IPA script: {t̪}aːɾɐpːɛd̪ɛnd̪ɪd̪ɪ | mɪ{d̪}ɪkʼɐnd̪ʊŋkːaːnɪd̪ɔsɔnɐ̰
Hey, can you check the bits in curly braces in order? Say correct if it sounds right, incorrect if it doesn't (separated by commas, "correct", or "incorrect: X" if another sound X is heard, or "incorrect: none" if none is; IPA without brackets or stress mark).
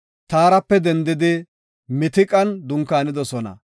correct, incorrect: t̪